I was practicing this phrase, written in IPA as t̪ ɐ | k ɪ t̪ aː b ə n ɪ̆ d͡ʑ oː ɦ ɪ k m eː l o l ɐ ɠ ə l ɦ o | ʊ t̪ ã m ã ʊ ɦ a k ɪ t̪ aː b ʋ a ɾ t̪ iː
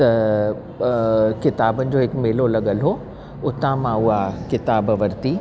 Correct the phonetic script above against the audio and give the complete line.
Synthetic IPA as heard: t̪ ɐ | k ɪ t̪ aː b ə n ɪ̆ d͡ʑ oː ɦ ɪ k m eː l o l ɐ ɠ ə l ɦ o | ʊ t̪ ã m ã ʊ ɦ a k ɪ t̪ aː b ʋ ɐ ɾ t̪ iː